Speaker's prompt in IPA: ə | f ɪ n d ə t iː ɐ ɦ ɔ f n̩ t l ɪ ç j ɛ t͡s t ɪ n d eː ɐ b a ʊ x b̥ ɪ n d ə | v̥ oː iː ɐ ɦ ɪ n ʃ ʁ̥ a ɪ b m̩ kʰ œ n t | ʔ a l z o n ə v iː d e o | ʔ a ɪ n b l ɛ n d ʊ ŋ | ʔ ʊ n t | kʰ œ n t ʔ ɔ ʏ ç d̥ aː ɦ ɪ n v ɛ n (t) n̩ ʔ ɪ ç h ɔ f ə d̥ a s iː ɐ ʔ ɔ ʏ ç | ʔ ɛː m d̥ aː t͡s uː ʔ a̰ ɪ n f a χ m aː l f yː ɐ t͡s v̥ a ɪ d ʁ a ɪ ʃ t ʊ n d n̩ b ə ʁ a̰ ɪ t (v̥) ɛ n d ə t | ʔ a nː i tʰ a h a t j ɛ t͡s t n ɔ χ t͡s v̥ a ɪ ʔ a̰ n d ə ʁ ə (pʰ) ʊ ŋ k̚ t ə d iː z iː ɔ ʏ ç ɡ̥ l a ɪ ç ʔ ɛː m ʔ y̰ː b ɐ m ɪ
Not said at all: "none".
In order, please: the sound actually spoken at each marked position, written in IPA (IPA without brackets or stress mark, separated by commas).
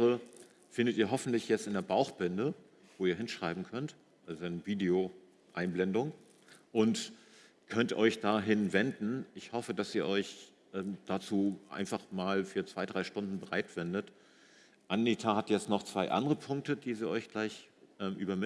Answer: d, v̥, pʰ